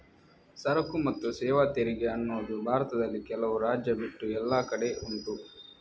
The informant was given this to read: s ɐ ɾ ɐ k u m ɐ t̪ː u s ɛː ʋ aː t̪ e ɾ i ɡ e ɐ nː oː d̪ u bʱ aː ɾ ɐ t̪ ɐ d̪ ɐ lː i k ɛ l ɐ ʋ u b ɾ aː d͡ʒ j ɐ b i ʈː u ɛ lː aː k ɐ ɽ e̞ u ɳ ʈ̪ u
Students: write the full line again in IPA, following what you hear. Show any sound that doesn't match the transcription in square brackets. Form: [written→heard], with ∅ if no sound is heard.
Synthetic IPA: s ɐ ɾ ɐ k u m ɐ t̪ː u s ɛː ʋ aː t̪ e ɾ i ɡ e ɐ nː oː d̪ u bʱ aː ɾ ɐ t̪ ɐ d̪ ɐ lː i k ɛ l ɐ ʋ u [b→∅] ɾ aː d͡ʒ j ɐ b i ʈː u ɛ lː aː k ɐ ɽ e̞ u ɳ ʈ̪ u